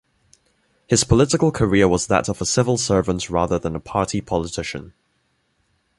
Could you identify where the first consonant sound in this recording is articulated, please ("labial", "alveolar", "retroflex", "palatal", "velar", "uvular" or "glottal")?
glottal